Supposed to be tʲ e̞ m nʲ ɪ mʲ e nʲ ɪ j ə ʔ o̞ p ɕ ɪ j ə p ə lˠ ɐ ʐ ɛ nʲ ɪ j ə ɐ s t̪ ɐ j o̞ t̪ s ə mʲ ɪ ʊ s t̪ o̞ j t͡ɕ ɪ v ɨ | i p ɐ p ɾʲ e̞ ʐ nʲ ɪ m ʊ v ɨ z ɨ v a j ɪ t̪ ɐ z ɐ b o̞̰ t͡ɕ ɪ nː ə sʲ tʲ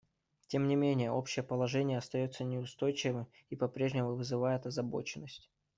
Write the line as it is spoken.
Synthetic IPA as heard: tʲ e̞ m nʲ ɪ mʲ e nʲ ɪ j ə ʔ o̞ p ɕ ɪ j ə p ə lˠ ɐ ʐ ɛ nʲ ɪ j ə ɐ s t̪ ɐ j o̞ t̪ s ə nʲ ɪ ʊ s t̪ o̞ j t͡ɕ ɪ v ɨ | i p ɐ p ɾʲ e̞ ʐ nʲ ɪ m ʊ v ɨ z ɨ v a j ɪ t̪ ɐ z ɐ b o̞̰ t͡ɕ ɪ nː ə sʲ tʲ